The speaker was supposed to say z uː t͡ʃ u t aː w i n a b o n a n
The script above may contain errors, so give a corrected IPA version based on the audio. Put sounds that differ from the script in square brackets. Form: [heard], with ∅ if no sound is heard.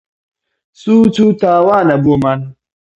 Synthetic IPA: [s] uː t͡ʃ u t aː w [a] n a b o [m] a n